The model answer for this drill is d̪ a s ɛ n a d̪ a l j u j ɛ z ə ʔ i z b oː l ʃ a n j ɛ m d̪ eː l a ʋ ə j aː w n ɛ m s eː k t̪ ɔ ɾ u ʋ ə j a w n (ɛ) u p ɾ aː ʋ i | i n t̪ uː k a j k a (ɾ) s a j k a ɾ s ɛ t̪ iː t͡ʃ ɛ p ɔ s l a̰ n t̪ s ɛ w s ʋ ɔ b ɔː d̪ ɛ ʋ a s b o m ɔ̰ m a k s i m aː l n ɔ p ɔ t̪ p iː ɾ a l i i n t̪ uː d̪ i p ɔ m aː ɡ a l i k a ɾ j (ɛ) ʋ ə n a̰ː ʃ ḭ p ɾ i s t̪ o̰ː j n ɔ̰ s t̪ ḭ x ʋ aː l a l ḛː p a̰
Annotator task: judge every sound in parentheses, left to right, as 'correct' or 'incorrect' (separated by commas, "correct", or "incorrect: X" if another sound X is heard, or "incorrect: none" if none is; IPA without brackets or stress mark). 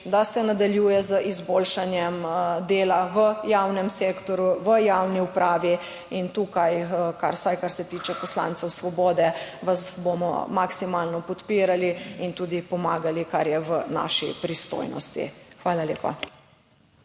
incorrect: i, correct, correct